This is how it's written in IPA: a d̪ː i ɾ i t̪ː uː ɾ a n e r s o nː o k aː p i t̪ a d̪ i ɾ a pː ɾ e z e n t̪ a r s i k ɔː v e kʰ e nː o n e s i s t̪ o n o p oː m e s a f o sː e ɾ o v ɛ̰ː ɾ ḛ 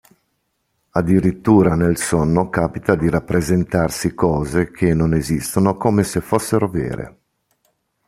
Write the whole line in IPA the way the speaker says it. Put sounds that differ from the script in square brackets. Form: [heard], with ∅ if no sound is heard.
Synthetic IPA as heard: a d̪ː i ɾ i t̪ː uː ɾ a n e [l] s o nː o k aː p i t̪ a d̪ i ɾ a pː ɾ e z e n t̪ a r s i k ɔː [z] e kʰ e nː o n e [z] i s t̪ o n o [k] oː m e s [e] f o sː e ɾ o v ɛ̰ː ɾ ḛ